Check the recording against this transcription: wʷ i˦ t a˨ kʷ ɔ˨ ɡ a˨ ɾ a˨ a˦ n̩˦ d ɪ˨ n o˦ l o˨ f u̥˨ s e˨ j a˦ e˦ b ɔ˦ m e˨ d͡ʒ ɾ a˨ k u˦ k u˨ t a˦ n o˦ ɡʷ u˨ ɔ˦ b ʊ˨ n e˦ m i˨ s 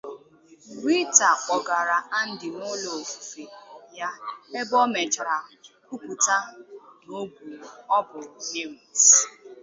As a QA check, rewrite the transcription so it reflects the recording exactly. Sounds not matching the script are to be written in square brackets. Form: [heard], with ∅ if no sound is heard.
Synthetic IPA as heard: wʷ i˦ t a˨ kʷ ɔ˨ ɡ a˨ ɾ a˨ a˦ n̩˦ d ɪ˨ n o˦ l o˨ f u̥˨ [f] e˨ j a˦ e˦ b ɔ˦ m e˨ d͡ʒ ɾ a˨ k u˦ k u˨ t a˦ n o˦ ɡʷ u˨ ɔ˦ b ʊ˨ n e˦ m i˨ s